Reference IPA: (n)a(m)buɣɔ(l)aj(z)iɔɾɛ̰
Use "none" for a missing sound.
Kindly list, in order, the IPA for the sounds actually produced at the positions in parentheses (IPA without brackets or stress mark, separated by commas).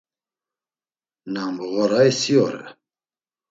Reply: n, m, ɾ, s